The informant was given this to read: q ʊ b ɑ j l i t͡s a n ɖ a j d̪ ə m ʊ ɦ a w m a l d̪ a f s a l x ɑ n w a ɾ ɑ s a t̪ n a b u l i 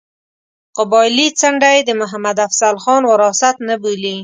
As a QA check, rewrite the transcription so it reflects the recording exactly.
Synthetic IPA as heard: q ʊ b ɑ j l i t͡s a ɳ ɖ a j d̪ ə m ʊ ɦ a m a d̪ a f s a l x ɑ n w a ɾ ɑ s a t̪ n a b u l i